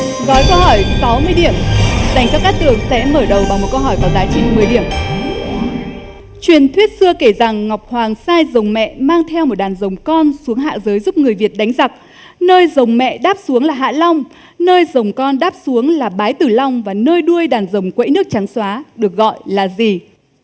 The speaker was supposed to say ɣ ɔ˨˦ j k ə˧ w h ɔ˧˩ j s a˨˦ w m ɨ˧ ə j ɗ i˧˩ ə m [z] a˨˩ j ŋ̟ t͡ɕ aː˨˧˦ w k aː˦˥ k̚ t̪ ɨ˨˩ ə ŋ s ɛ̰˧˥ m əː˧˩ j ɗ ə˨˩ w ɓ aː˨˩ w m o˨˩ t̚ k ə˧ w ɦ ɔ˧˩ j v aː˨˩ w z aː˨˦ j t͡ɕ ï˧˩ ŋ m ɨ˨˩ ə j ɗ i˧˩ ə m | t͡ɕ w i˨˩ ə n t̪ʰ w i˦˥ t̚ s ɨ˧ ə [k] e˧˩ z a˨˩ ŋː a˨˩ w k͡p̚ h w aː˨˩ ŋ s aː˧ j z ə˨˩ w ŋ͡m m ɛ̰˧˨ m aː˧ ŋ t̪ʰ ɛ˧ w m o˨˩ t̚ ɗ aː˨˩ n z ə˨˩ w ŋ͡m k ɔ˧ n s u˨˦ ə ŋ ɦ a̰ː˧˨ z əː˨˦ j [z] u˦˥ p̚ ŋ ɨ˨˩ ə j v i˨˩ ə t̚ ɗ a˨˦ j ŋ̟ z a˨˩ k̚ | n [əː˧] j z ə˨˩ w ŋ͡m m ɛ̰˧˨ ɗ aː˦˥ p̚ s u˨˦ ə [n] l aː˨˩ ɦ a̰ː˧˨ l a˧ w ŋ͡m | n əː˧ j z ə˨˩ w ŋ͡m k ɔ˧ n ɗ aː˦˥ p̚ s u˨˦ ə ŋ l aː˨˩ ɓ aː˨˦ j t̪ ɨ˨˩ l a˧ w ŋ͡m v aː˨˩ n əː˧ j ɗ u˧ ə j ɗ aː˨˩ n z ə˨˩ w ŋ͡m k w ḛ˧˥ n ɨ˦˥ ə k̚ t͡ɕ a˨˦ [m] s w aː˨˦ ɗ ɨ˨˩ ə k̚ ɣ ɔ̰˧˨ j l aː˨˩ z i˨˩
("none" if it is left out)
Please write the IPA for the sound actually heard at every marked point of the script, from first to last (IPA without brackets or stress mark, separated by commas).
z, k, z, əː˧, ŋ, ŋ